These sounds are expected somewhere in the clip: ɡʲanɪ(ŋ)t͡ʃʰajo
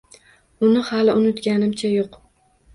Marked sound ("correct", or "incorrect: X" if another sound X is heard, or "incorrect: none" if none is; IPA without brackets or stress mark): incorrect: m